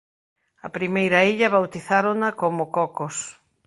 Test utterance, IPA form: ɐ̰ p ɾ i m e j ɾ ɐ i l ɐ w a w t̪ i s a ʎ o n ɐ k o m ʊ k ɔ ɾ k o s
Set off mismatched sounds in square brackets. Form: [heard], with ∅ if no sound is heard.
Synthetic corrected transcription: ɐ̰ p ɾ i m e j ɾ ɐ i [ʎ] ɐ [β] a w t̪ i [θ] a [ɾ] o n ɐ k o m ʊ k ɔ [∅] k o s